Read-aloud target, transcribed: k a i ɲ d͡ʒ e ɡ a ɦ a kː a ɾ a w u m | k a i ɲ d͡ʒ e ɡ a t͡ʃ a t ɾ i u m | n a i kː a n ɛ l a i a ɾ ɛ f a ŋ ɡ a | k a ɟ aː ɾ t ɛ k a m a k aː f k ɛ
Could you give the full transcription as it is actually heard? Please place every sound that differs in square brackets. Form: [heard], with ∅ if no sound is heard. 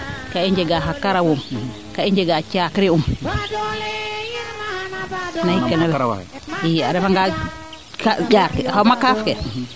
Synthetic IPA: k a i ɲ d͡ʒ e ɡ a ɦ a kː a ɾ a w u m | k a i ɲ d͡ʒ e ɡ a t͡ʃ a [k] ɾ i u m | n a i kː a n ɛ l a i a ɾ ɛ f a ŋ ɡ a | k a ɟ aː ɾ [k] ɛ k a m a k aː f k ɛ